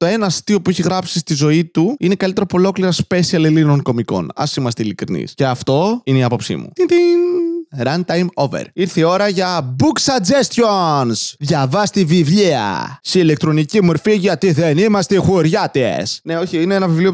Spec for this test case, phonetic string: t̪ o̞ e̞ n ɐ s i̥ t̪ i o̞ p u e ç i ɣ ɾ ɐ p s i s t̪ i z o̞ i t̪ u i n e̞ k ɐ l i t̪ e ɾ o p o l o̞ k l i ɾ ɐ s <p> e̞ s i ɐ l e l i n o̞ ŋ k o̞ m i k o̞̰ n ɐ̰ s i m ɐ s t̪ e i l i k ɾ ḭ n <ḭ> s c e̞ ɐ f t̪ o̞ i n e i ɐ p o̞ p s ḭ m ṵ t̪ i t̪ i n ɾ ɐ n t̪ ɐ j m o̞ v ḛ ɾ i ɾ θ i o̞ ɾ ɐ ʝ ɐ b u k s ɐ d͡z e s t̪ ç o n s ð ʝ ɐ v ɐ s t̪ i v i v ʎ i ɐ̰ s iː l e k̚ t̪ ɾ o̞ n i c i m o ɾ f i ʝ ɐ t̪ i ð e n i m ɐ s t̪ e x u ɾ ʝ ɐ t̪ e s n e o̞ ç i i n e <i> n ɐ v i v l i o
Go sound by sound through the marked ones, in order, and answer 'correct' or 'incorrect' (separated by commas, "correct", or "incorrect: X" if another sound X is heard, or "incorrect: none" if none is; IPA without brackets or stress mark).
correct, correct, incorrect: e